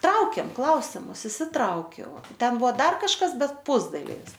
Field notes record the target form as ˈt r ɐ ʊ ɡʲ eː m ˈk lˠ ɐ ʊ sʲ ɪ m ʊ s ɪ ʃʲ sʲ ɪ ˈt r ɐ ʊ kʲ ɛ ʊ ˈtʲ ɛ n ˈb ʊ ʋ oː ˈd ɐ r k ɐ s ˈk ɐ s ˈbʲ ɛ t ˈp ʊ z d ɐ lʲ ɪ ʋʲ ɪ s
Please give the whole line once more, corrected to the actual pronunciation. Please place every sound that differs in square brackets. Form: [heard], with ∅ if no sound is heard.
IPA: ˈt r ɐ ʊ [kʲ] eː m ˈk lˠ ɐ ʊ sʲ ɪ m ʊ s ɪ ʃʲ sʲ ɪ ˈt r ɐ ʊ kʲ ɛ ʊ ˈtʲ ɛ n ˈb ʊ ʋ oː ˈd ɐ r k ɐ [ʃ] ˈk ɐ s ˈbʲ ɛ t ˈp ʊ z d ɐ lʲ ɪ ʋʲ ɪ s

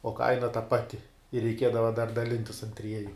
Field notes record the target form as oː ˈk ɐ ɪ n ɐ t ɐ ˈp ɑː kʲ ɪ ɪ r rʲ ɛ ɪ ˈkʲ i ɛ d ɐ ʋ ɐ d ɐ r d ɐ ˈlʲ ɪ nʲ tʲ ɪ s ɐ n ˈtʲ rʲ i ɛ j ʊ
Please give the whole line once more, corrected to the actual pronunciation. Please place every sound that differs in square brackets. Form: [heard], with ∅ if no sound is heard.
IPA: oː ˈk ɐ ɪ n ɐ t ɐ ˈp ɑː [tʲ] ɪ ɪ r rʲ ɛ ɪ ˈkʲ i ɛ d ɐ ʋ ɐ d ɐ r d ɐ ˈlʲ ɪ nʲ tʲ ɪ s ɐ n ˈtʲ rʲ i ɛ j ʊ

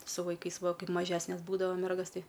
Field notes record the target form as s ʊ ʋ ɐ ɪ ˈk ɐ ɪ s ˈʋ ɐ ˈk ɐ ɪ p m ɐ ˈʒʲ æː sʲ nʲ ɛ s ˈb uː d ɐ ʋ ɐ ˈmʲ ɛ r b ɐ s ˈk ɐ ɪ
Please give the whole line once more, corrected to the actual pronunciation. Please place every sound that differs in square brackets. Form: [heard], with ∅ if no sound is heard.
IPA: s ʊ ʋ ɐ ɪ ˈk ɐ ɪ s ˈʋ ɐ ˈk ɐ ɪ p m ɐ ˈʒʲ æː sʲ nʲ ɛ s ˈb uː d ɐ ʋ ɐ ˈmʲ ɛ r [ɡ] ɐ s [ˈt] ɐ ɪ

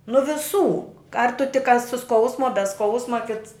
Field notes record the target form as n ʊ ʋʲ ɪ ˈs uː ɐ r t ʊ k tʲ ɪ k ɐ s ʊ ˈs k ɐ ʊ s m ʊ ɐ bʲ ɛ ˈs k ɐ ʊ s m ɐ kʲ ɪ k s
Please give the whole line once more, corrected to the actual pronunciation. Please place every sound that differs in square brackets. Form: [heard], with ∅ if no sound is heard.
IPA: n ʊ ʋʲ ɪ ˈs uː ɐ r t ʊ [∅] tʲ ɪ k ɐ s ʊ ˈs k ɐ ʊ s m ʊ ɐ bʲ ɛ ˈs k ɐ ʊ s m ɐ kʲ ɪ [t] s

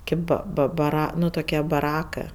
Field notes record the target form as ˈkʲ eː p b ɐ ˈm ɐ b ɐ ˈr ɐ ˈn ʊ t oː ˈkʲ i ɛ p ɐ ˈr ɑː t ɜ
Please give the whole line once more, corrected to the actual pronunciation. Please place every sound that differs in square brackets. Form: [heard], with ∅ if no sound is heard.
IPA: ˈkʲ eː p b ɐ [ˈb] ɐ b ɐ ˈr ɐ ˈn ʊ t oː ˈkʲ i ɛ [b] ɐ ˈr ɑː [k] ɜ

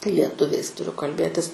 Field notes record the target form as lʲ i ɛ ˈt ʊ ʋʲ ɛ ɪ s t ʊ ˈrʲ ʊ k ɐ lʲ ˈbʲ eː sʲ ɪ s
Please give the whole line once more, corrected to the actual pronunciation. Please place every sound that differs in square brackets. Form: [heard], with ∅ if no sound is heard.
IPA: lʲ i ɛ ˈt ʊ ʋʲ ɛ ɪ s t ʊ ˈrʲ ʊ k ɐ lʲ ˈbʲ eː [tʲ] ɪ s

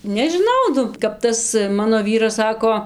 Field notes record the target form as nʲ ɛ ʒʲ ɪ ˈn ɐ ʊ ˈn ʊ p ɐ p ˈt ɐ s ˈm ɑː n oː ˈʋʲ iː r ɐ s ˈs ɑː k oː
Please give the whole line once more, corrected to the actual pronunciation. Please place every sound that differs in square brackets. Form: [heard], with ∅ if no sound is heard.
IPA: nʲ ɛ ʒʲ ɪ ˈn ɐ ʊ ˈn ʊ [k] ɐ p ˈt ɐ s ˈm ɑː n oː ˈʋʲ iː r ɐ s ˈs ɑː k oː

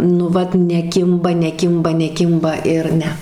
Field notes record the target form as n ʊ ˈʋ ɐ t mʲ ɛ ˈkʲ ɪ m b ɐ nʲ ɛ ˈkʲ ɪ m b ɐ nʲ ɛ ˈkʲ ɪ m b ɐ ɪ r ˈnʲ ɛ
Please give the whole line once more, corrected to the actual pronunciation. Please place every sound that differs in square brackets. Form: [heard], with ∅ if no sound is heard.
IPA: n ʊ ˈʋ ɐ t [nʲ] ɛ ˈkʲ ɪ m b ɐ nʲ ɛ ˈkʲ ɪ m b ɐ nʲ ɛ ˈkʲ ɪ m b ɐ ɪ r ˈnʲ ɛ

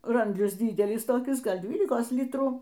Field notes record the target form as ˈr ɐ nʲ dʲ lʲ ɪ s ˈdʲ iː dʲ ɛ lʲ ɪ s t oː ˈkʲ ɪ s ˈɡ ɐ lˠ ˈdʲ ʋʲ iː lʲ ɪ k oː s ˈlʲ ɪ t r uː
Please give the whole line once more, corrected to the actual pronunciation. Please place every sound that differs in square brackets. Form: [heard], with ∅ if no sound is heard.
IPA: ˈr ɐ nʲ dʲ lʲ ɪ s ˈdʲ iː dʲ ɛ lʲ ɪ s t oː ˈkʲ ɪ s ˈɡ ɐ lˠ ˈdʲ ʋʲ iː lʲ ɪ k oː s ˈlʲ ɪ t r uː

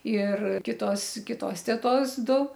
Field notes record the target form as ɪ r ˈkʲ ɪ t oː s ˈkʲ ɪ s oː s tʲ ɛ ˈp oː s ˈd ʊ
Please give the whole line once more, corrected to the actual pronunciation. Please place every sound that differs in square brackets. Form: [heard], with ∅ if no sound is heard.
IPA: ɪ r ˈkʲ ɪ t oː s ˈkʲ ɪ [t] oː s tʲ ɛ [ˈt] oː s ˈd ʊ

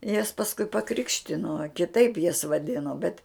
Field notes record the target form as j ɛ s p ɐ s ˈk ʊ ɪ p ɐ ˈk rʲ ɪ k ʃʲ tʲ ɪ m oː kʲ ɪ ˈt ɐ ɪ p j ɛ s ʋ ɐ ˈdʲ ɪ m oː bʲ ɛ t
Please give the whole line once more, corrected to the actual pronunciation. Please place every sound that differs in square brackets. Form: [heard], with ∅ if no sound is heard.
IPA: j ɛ s p ɐ s ˈk ʊ ɪ p ɐ ˈk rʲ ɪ k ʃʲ tʲ ɪ [n] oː kʲ ɪ ˈt ɐ ɪ p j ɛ s ʋ ɐ ˈdʲ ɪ [n] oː bʲ ɛ t

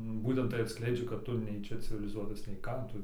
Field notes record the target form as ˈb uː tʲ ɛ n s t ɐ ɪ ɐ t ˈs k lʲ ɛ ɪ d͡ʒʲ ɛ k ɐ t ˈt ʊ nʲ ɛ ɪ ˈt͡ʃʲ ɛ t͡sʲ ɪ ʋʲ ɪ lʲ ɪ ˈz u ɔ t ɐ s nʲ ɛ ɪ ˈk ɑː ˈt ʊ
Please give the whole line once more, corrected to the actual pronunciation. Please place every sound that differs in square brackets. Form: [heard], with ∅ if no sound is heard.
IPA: ˈb uː tʲ ɛ n [t] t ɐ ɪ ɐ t ˈs k lʲ ɛ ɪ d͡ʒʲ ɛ k ɐ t ˈt ʊ nʲ ɛ ɪ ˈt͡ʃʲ ɛ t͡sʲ ɪ ʋʲ ɪ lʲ ɪ ˈz u ɔ t ɐ s nʲ ɛ ɪ ˈk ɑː ˈt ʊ

